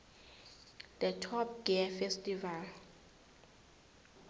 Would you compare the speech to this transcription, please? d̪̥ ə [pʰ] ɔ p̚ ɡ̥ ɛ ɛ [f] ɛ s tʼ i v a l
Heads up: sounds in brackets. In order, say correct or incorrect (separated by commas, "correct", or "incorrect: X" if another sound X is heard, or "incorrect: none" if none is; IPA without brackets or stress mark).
incorrect: tʰ, correct